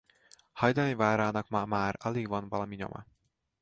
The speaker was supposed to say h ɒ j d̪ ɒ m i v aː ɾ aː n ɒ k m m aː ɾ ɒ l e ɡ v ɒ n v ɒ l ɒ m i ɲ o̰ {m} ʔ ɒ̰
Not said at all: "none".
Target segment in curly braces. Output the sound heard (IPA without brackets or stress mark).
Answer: m